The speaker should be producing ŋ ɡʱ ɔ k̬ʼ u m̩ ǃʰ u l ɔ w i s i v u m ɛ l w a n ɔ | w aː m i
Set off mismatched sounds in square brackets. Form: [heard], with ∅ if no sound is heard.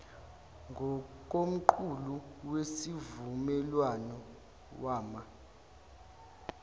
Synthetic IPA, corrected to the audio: ŋ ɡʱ ɔ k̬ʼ [o] m̩ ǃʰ u l [u] w [e] s i v u m ɛ l w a n ɔ | w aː m [a]